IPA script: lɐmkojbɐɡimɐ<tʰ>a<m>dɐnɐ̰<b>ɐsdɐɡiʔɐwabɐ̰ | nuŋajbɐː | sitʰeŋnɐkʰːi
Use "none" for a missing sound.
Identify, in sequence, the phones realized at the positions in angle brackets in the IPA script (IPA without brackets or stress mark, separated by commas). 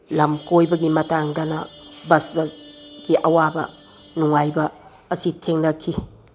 t, ŋ, b